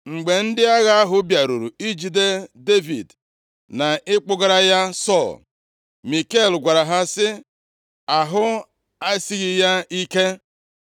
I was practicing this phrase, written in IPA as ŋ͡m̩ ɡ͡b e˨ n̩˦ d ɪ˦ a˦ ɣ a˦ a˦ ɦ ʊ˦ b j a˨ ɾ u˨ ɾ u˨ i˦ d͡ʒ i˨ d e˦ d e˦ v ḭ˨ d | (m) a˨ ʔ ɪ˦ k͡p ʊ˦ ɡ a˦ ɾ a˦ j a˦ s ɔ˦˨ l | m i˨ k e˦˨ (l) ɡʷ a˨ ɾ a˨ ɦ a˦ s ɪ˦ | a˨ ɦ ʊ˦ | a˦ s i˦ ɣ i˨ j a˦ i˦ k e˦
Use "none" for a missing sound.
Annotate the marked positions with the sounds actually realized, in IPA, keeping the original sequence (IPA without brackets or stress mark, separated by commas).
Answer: n, l